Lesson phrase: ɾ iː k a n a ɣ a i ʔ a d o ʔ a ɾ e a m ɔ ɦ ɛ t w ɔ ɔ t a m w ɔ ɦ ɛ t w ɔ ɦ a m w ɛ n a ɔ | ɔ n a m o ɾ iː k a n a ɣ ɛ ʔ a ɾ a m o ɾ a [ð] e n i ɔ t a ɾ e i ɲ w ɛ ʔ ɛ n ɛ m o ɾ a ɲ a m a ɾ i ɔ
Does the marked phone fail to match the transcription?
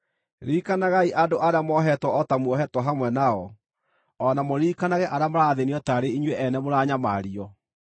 no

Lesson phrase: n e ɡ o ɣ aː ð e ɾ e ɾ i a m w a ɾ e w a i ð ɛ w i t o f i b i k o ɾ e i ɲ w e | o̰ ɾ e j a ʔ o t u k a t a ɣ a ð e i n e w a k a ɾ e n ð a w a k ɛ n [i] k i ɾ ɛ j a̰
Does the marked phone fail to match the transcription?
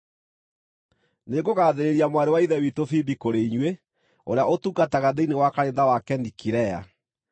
no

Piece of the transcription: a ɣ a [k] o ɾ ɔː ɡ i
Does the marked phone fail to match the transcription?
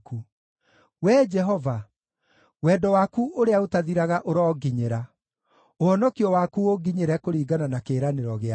yes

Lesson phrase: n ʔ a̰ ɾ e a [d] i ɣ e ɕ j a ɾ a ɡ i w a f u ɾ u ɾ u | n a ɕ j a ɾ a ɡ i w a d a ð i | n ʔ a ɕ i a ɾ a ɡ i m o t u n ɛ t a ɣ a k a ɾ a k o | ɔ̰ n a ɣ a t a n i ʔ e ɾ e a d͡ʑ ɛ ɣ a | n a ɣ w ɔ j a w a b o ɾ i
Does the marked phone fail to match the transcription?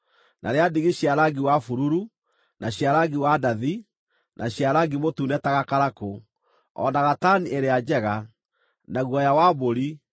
no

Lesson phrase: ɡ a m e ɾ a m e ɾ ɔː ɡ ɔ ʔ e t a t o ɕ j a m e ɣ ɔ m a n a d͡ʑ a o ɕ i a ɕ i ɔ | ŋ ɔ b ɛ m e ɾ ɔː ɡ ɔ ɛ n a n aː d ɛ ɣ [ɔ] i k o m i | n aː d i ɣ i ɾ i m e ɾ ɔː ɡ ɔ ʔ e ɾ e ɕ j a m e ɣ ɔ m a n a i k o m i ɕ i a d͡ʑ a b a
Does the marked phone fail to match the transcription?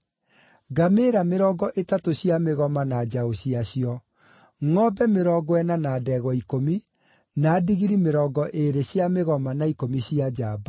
no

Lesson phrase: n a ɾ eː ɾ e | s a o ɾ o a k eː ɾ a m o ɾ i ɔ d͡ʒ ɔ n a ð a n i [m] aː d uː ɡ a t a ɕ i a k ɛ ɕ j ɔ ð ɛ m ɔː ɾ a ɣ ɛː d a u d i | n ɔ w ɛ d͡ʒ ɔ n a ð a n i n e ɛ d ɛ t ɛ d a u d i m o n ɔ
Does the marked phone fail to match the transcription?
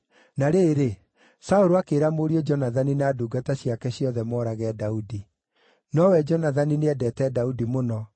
yes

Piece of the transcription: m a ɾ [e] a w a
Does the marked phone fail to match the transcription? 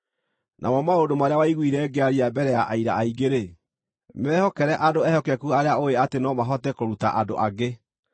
no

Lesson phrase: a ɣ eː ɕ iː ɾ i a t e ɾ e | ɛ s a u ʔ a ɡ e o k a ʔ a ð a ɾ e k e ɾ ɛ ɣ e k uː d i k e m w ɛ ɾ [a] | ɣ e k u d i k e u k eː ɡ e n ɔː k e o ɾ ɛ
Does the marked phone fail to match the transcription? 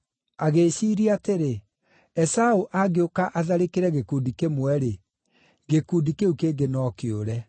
yes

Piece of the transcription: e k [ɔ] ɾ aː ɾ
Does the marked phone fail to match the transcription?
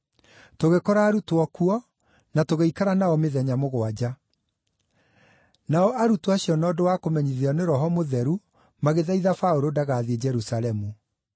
no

